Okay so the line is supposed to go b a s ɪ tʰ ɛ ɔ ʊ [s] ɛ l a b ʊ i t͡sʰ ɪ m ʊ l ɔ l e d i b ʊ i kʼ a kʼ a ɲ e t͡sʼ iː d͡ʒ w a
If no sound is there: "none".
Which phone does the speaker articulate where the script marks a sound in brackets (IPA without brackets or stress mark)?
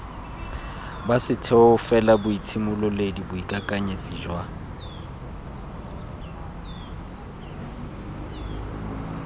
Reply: f